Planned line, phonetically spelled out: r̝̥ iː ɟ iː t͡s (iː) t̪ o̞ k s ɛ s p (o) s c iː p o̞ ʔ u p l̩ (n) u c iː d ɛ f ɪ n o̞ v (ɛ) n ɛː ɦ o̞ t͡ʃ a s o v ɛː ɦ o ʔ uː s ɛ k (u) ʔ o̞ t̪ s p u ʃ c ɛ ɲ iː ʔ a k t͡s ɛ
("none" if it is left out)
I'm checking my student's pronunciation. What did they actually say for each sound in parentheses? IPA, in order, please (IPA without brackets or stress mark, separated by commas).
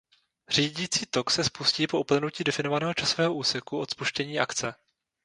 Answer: iː, u, n, a, u